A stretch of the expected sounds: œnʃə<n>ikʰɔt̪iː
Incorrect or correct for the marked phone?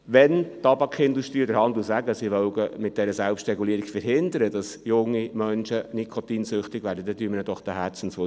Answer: correct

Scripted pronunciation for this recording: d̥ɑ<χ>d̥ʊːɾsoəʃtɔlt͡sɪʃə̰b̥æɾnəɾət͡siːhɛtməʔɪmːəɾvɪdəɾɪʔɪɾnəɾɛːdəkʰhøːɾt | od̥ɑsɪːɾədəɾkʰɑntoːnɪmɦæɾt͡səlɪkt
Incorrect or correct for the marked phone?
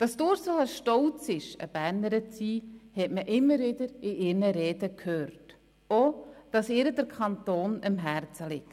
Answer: incorrect: s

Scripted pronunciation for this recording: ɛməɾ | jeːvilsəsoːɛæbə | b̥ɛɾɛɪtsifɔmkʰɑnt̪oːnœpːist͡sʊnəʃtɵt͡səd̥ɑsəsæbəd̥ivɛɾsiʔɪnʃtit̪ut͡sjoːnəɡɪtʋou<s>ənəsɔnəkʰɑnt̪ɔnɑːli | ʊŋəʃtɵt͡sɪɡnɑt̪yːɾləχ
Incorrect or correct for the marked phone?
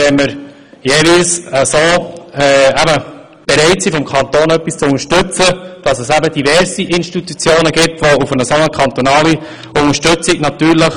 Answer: incorrect: f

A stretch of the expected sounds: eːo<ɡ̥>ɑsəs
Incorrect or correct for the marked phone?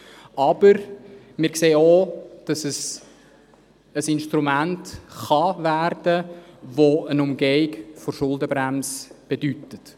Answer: incorrect: d̥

